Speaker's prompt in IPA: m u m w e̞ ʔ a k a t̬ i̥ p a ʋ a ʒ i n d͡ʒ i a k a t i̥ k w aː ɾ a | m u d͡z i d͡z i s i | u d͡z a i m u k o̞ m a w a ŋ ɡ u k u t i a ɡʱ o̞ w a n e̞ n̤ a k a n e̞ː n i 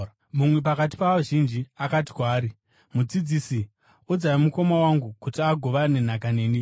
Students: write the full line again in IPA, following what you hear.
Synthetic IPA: m u m w e̞ p a k a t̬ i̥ p a ʋ a ʒ i n d͡ʒ i a k a t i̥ k w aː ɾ i | m u d͡z i d͡z i s i | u d͡z a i m u k o̞ m a w a ŋ ɡ u k u t i a ɡʱ o̞ ʋ a n e̞ n̤ a k a n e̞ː n i